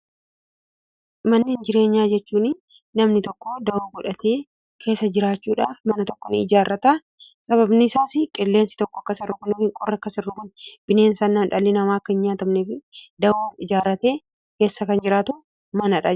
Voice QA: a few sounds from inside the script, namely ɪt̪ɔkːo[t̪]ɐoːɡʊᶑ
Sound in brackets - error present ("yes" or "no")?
yes